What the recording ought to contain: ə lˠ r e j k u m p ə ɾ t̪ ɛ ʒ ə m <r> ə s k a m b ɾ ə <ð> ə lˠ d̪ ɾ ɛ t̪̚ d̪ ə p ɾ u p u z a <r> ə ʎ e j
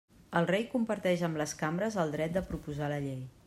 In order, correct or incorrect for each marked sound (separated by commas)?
incorrect, incorrect, incorrect